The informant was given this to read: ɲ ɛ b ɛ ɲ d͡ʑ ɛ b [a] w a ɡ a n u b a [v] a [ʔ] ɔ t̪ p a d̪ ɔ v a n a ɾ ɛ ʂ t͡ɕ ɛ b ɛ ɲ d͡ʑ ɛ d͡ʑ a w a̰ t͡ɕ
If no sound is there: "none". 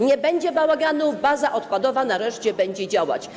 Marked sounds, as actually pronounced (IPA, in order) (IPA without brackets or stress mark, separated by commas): a, z, ʔ